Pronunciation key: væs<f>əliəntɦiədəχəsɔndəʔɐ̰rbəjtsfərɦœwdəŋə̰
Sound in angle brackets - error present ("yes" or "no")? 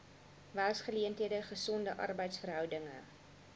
yes